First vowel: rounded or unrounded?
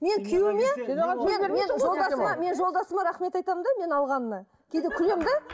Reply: unrounded